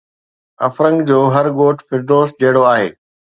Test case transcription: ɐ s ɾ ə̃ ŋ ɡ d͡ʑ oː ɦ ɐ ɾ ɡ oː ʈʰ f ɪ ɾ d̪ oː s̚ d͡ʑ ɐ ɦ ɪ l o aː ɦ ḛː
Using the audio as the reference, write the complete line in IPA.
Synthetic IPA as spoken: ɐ f ɾ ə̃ ŋ ɡ d͡ʑ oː ɦ ɐ ɾ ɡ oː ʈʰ f ɪ ɾ d̪ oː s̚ d͡ʑ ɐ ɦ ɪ ɽ o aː ɦ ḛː

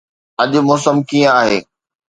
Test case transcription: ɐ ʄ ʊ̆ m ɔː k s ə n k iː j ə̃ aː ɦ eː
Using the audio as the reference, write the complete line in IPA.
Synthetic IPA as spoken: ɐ ʄ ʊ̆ m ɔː s ə m k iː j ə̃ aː ɦ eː

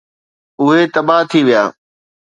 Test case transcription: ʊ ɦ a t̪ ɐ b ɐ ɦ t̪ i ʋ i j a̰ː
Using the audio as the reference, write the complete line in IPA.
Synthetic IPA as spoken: ʊ ɦ e t̪ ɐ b a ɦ t̪ʰ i ʋ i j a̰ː

